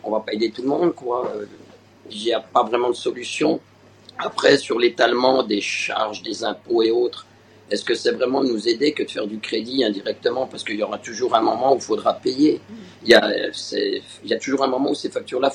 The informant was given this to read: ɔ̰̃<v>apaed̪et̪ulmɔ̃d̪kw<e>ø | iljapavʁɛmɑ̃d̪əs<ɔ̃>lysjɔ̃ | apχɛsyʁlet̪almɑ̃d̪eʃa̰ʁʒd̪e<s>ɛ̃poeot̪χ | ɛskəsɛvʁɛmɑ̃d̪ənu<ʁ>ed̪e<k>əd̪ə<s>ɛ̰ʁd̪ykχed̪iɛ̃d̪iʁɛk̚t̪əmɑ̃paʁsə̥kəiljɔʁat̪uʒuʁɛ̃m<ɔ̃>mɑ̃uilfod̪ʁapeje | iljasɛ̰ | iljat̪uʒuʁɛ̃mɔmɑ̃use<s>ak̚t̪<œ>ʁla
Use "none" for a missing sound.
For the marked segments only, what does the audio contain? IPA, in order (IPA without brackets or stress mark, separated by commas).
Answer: v, a, ɔ, z, z, k, f, ɔ, f, y